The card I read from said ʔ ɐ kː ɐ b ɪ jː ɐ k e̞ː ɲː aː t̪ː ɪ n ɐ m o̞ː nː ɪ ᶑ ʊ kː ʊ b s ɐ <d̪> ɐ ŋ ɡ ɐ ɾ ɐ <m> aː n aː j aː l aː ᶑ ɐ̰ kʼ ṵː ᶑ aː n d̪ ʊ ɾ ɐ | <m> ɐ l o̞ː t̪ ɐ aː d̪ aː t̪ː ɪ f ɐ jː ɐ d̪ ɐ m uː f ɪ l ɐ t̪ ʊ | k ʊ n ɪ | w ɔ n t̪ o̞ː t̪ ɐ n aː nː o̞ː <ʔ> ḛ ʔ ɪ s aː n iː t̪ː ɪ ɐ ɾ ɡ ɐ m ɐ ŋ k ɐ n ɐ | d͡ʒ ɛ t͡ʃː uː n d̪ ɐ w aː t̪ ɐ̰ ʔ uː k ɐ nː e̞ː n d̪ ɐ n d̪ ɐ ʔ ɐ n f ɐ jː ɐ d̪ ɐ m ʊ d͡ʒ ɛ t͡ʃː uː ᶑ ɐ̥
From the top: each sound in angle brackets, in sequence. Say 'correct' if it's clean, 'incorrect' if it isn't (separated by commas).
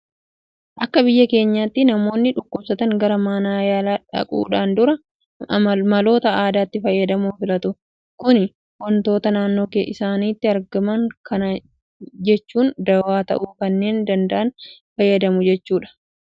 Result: incorrect, correct, correct, incorrect